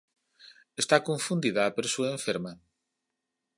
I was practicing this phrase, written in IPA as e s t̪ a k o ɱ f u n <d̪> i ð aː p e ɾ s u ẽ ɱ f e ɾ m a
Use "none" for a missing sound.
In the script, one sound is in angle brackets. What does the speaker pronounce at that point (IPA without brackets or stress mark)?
d̪